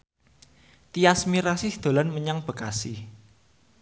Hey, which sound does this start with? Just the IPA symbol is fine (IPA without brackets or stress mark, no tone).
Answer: t̪